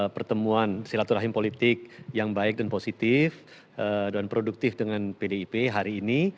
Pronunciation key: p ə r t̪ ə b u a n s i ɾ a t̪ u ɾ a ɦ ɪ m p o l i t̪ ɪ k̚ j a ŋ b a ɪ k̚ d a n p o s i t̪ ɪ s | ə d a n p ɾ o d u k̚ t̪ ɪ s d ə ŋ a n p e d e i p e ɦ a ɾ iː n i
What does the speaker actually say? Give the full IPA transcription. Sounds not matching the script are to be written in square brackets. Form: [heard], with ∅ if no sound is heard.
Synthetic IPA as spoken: p ə r t̪ ə [m] u a n s i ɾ a t̪ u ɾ a ɦ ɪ m p o l i t̪ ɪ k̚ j a ŋ b a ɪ k̚ d a n p o s i t̪ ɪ [f] | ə d a n p ɾ o d u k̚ t̪ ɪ [f] d ə ŋ a n p e d e i p e ɦ a ɾ iː n i